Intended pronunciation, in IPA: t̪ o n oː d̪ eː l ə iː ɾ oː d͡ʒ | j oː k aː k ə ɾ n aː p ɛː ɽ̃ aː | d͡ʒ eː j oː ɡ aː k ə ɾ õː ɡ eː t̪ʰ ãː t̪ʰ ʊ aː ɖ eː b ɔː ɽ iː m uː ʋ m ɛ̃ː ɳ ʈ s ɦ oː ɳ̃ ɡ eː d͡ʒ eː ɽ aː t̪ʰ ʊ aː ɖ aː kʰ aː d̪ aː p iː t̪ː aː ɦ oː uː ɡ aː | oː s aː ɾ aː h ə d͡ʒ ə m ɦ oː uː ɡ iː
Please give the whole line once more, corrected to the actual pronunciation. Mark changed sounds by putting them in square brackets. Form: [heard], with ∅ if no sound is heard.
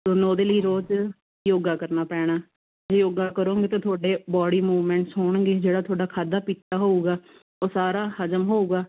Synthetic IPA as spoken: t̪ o n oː d̪ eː l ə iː ɾ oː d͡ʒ | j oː [ɡ] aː k ə ɾ n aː p ɛː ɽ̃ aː | d͡ʒ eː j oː ɡ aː k ə ɾ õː ɡ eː [t̪] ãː t̪ʰ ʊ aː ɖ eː b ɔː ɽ iː m uː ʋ m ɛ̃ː ɳ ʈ s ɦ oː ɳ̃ ɡ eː d͡ʒ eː ɽ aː t̪ʰ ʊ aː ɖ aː kʰ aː d̪ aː p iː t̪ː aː ɦ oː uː ɡ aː | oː s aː ɾ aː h ə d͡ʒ ə m ɦ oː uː ɡ [aː]